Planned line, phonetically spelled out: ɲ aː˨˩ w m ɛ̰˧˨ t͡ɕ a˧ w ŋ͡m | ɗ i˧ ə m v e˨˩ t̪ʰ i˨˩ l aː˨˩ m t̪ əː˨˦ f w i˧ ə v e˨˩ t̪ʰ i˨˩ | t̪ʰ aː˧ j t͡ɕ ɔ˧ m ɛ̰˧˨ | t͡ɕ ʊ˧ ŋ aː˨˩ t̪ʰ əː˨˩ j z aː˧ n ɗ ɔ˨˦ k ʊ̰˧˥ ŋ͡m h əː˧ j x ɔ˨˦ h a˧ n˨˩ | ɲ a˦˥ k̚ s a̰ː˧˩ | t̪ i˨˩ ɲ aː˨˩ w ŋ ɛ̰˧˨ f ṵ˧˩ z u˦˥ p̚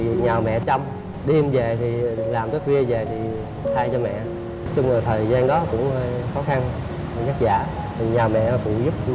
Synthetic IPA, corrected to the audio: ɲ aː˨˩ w m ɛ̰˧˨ t͡ɕ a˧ w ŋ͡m | ɗ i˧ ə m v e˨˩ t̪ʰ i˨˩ l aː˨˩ m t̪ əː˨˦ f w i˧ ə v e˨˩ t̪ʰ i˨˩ | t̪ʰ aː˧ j t͡ɕ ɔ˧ m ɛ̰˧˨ | t͡ɕ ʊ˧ ŋ͡m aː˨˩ t̪ʰ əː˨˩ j z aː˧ n ɗ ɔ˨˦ k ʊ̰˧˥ ŋ͡m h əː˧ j x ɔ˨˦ x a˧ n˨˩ | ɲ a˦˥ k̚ z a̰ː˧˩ | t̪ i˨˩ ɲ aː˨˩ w m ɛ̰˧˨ f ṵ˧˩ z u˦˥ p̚